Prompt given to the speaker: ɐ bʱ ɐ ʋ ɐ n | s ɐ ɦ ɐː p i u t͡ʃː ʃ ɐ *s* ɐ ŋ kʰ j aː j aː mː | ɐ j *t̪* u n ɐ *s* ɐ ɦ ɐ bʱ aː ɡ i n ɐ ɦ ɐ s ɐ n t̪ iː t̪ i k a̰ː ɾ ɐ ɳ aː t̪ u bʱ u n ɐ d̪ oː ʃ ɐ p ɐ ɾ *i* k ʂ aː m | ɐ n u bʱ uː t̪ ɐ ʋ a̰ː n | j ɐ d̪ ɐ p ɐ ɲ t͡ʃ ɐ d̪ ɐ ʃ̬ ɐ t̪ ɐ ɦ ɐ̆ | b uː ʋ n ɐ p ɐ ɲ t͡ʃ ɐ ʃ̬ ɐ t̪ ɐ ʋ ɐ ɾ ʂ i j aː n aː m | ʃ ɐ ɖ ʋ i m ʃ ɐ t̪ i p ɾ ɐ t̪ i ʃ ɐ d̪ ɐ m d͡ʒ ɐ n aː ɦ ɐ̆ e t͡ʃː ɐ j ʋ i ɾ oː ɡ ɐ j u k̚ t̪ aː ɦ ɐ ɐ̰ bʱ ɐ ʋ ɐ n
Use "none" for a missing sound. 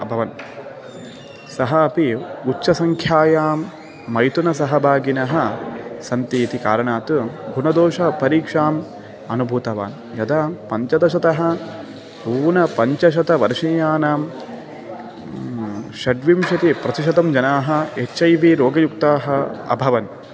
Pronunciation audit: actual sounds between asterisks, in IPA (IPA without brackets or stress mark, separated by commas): s, t̪, s, iː